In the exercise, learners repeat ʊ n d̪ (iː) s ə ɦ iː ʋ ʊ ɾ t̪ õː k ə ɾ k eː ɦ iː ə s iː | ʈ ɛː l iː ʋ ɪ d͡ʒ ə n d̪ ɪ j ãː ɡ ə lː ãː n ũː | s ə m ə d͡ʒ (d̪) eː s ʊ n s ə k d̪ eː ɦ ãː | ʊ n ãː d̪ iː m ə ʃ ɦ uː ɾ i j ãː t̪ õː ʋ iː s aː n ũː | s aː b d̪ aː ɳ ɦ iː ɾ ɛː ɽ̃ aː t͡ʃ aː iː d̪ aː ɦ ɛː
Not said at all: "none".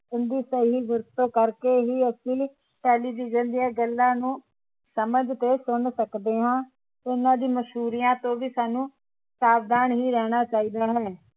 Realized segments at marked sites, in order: iː, t̪

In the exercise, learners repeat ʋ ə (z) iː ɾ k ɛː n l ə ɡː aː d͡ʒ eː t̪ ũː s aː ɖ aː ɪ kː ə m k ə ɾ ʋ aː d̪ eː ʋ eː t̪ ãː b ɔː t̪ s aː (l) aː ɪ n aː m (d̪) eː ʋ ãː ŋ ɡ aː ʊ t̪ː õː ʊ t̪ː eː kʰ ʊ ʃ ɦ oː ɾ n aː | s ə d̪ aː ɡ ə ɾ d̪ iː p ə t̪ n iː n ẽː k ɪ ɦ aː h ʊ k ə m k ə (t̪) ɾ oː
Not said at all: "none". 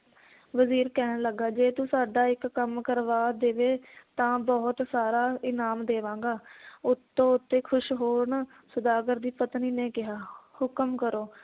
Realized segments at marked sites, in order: z, ɾ, d̪, none

